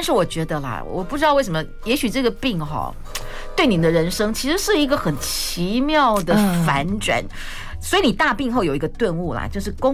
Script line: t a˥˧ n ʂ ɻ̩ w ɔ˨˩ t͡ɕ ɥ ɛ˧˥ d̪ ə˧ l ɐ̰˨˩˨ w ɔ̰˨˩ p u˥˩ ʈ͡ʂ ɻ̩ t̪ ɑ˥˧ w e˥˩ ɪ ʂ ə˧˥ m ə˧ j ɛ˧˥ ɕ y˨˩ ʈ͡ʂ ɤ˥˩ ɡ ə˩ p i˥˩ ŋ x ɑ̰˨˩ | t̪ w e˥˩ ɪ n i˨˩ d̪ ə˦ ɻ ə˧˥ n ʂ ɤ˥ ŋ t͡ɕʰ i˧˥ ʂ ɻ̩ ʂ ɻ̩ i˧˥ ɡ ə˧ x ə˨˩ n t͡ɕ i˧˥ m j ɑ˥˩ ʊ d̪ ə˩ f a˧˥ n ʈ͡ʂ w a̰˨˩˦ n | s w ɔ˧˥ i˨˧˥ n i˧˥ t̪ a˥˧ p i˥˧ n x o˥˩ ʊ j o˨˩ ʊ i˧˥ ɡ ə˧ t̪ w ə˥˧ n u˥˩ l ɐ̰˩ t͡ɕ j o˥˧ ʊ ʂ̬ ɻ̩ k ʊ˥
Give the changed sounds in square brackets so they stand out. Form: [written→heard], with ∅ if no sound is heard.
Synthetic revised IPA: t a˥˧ n ʂ ɻ̩ w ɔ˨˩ t͡ɕ ɥ ɛ˧˥ d̪ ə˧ l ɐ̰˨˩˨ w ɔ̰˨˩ p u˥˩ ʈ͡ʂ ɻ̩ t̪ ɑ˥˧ w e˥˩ ɪ ʂ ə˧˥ m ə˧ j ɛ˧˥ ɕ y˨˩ ʈ͡ʂ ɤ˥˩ ɡ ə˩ p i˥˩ ŋ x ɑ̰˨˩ | t̪ w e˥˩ ɪ n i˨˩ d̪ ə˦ ɻ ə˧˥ n ʂ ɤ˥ ŋ t͡ɕʰ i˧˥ ʂ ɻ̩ ʂ ɻ̩ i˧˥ ɡ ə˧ x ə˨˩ n [t͡ɕ→t͡ɕʰ] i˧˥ m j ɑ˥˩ ʊ d̪ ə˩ f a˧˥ n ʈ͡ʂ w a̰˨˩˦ n | s w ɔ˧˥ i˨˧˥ n [i˧˥→i˨˩] t̪ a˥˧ p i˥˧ [n→ŋ] x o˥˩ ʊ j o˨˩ ʊ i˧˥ ɡ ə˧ t̪ w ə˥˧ n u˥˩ l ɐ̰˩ t͡ɕ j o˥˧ ʊ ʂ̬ ɻ̩ k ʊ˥